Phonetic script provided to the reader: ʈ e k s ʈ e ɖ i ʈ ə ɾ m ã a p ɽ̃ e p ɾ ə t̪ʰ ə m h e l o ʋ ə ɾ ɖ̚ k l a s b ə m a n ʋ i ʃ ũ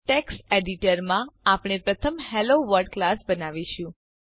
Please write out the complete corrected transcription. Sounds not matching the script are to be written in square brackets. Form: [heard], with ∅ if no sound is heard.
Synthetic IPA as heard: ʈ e k s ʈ e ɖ i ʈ ə ɾ m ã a p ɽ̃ e p ɾ ə t̪ʰ ə m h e l o ʋ ə ɾ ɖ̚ k l a s b ə [n] a [∅] ʋ i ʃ ũ